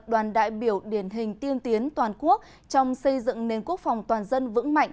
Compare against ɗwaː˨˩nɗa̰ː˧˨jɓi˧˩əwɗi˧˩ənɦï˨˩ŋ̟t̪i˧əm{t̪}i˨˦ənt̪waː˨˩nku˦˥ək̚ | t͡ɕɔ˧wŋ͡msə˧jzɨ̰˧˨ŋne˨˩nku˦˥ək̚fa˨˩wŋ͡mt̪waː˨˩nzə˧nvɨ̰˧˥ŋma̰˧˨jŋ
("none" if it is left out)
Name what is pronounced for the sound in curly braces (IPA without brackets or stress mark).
t̪